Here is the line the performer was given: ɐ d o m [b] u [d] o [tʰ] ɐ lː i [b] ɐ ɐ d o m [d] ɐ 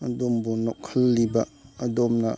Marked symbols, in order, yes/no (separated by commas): yes, no, no, yes, no